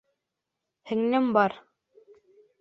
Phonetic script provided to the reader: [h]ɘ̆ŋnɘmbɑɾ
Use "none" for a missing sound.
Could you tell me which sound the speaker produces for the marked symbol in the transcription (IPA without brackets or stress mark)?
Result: h